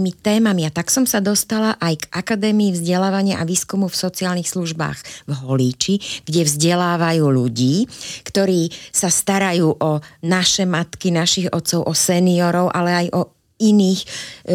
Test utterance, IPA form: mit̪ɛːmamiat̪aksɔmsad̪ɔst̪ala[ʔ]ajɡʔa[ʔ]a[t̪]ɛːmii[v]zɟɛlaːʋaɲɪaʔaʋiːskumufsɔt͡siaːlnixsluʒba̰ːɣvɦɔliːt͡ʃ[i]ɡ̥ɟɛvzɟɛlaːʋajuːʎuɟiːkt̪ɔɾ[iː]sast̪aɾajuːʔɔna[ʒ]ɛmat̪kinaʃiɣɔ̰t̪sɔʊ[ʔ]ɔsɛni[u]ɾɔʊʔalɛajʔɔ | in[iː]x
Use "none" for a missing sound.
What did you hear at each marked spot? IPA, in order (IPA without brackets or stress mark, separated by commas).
ʔ, k, d̪, v, i, iː, ʃ, ʔ, ɔ, iː